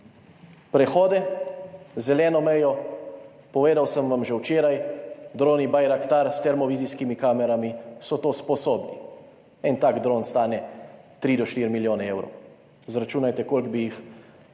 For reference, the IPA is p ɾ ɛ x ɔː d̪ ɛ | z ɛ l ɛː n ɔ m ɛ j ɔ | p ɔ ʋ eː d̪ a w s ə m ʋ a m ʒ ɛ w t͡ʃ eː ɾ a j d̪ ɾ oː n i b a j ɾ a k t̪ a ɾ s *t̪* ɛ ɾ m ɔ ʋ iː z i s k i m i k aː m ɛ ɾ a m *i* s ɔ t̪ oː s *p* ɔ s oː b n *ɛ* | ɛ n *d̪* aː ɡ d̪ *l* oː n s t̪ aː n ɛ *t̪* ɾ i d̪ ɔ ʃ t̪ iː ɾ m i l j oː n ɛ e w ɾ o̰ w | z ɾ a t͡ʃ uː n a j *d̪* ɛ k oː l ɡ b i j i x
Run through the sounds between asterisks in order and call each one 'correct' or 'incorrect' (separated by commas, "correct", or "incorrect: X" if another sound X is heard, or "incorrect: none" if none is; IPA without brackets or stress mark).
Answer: correct, correct, correct, incorrect: i, incorrect: t̪, incorrect: ɾ, correct, incorrect: t̪